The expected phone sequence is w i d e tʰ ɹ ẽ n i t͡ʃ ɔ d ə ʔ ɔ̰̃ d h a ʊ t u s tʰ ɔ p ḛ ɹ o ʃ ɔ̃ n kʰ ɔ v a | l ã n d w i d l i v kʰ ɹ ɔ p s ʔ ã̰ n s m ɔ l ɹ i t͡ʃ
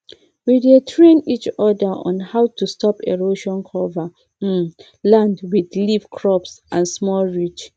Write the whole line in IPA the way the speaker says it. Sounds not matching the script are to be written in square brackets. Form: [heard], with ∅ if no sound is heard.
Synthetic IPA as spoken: w i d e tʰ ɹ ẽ n i t͡ʃ ɔ d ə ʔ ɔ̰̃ [n] h a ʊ t u s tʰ ɔ p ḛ ɹ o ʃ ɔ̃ n kʰ ɔ v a | l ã n d w i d l i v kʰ ɹ ɔ p s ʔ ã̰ n s m ɔ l ɹ i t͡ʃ